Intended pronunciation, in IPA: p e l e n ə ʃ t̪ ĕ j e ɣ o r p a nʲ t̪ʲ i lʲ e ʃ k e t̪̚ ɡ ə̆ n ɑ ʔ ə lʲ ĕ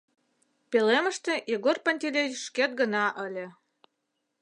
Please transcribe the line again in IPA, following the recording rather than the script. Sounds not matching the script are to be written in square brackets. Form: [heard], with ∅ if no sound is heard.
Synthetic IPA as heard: p e l e [m] ə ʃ t̪ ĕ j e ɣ o r p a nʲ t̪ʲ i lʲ e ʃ k e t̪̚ ɡ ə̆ n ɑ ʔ ə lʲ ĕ